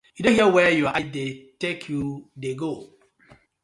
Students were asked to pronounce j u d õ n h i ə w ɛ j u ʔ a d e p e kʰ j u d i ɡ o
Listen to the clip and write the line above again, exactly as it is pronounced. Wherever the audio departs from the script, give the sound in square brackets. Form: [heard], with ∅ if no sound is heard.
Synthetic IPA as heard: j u d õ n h i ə w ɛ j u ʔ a d e [t] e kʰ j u d [e] ɡ o